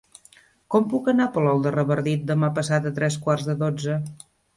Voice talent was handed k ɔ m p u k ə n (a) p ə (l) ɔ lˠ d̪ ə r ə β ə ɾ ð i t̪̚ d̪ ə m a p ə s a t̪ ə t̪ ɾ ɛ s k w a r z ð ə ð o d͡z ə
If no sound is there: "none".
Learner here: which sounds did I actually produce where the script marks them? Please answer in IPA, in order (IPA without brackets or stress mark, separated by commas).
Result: a, l